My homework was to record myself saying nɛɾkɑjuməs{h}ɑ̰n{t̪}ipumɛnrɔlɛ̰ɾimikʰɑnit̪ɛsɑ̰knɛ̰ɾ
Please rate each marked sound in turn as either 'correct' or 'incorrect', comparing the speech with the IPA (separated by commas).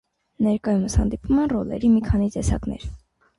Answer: correct, incorrect